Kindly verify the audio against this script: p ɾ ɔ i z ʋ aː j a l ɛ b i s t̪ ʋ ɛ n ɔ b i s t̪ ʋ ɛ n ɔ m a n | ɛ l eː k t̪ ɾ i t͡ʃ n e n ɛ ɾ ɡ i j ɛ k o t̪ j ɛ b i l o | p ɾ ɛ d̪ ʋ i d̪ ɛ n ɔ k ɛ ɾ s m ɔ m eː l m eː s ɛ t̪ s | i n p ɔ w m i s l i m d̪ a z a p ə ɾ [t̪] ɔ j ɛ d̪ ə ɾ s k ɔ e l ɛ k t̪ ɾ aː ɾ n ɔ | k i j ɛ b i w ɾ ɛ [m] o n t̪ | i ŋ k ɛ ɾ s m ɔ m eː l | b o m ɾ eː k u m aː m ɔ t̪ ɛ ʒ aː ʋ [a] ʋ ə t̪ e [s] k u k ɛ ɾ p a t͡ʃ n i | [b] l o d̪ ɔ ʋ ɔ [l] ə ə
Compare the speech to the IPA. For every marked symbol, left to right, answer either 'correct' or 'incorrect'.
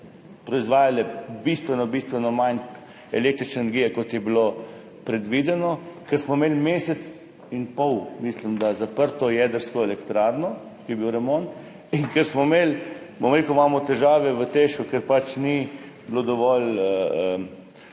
correct, correct, incorrect, incorrect, correct, correct

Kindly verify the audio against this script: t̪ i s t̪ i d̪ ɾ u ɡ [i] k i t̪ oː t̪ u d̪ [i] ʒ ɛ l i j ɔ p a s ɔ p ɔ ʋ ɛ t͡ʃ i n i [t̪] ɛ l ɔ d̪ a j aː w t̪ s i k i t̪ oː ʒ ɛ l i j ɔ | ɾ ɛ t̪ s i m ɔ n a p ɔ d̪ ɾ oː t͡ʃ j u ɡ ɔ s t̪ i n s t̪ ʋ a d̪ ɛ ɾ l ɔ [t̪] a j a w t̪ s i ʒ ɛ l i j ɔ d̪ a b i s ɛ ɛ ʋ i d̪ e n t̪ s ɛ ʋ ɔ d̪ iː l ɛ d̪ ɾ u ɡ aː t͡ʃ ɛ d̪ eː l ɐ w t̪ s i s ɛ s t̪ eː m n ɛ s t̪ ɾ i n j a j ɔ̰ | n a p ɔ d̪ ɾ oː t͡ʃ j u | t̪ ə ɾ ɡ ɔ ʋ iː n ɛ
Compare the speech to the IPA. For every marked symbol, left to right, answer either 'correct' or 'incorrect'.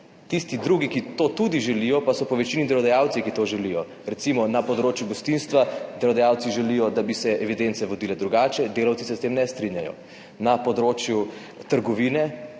correct, correct, incorrect, incorrect

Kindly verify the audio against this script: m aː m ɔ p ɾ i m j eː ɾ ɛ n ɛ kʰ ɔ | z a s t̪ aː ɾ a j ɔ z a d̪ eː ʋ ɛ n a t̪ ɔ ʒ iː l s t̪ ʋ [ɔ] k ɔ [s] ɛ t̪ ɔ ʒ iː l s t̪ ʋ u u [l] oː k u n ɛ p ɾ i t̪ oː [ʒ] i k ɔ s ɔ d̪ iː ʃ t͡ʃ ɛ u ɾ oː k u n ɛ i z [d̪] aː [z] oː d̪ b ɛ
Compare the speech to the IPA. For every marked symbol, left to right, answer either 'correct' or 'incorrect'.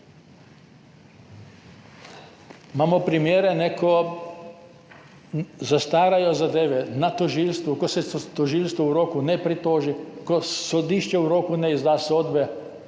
incorrect, correct, incorrect, correct, correct, incorrect

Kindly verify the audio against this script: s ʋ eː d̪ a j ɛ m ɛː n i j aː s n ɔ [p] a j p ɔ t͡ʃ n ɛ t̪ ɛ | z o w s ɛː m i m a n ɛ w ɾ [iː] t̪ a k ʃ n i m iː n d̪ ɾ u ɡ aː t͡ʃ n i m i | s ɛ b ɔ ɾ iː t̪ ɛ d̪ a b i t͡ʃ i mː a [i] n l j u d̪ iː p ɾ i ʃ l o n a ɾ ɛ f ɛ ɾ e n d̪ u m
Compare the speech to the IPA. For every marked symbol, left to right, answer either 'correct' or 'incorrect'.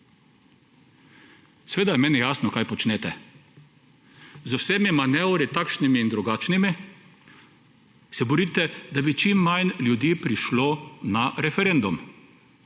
incorrect, incorrect, incorrect

